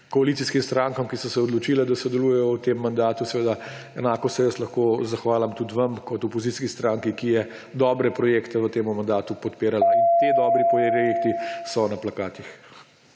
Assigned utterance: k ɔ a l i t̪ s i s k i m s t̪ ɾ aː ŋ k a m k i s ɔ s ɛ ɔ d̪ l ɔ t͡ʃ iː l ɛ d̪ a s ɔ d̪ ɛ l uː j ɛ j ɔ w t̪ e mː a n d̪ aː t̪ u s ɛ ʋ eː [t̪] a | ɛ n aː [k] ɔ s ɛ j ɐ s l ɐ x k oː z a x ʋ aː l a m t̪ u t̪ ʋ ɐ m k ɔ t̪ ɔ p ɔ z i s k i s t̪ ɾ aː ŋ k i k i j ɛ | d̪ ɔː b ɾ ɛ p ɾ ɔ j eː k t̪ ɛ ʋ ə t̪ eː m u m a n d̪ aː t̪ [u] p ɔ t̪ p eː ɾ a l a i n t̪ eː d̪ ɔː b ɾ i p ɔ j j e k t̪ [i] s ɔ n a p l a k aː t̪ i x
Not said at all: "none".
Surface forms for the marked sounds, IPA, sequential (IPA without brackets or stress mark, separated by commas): d̪, k, u, i